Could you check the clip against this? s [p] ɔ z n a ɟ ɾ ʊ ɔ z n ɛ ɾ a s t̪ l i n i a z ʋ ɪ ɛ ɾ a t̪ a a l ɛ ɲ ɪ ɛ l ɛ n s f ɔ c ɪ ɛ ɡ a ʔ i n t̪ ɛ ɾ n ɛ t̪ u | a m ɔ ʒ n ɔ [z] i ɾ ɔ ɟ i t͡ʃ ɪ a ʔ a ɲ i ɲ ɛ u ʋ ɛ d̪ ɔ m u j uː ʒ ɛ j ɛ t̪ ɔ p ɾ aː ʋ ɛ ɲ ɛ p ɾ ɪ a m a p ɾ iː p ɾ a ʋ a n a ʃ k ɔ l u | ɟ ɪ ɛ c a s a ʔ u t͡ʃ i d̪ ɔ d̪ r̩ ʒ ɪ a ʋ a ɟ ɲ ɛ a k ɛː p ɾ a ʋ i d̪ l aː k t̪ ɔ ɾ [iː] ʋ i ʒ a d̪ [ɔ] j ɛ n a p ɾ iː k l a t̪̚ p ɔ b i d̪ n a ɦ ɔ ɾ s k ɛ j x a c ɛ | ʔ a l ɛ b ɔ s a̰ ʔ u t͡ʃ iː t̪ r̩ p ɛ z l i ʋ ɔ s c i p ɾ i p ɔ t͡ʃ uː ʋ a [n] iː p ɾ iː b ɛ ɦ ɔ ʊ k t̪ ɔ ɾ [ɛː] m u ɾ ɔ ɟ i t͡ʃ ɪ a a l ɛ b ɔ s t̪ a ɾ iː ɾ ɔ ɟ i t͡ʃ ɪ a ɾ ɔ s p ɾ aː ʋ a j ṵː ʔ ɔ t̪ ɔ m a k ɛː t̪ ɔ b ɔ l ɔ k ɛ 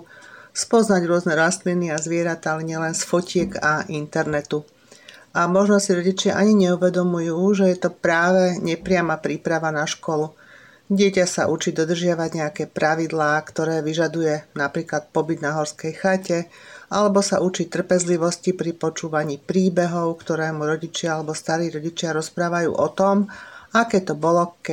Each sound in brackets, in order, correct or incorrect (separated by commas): correct, incorrect, incorrect, incorrect, incorrect, correct